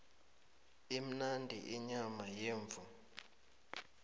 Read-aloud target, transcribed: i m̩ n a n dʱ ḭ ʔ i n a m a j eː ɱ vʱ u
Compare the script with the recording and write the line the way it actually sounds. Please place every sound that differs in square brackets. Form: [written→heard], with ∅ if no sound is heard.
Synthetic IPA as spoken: i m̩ n a n dʱ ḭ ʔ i [n→ɲ] a m a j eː ɱ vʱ u